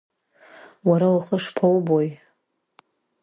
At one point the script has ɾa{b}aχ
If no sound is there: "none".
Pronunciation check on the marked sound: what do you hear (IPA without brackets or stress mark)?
w